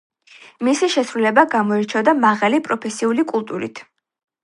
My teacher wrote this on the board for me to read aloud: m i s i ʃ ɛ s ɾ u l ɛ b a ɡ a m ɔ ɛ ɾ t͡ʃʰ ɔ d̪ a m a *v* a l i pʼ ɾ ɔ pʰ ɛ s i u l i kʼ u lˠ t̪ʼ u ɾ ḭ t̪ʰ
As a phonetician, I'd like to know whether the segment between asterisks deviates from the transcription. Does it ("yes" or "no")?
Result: yes